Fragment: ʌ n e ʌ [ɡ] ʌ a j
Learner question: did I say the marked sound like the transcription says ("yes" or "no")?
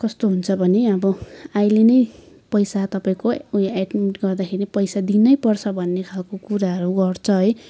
no